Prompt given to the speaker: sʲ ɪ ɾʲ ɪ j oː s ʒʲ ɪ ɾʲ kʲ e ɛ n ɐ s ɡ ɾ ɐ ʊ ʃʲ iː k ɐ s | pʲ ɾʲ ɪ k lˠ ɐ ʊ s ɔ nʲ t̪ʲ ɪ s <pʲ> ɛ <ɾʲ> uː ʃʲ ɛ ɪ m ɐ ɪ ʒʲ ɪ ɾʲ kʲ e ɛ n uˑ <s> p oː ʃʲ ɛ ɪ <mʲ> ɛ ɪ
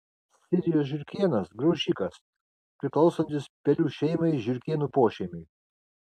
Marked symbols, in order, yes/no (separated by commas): yes, no, no, yes